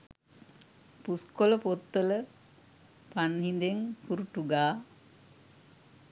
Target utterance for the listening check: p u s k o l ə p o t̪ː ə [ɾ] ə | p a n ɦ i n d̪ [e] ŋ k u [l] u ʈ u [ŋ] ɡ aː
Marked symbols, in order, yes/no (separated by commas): no, yes, no, no